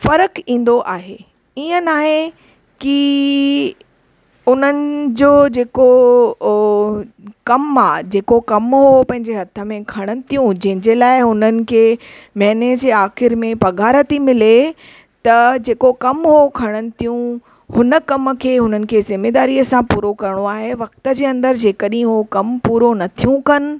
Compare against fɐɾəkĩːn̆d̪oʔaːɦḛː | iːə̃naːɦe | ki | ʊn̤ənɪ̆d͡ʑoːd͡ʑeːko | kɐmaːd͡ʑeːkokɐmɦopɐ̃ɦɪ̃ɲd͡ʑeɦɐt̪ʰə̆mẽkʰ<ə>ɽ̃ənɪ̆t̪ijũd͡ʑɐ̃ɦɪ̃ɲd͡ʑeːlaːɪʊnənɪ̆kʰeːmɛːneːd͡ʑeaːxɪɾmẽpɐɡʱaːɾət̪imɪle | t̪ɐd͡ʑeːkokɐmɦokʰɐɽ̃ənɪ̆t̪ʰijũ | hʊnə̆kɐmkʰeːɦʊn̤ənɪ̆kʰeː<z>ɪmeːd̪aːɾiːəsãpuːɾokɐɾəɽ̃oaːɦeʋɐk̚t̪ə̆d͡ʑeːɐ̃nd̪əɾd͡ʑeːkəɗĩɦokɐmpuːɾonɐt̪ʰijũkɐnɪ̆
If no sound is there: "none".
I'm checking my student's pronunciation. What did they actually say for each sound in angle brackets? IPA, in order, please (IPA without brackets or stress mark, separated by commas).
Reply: ɐ, z